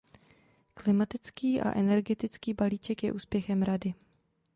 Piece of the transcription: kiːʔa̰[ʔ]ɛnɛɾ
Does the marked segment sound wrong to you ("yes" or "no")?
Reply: no